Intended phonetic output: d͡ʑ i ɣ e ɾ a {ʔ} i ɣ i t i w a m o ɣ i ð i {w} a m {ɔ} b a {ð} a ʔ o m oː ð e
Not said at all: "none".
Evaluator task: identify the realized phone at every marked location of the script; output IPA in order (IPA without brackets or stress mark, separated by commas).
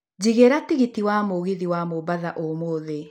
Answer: t, w, o, ð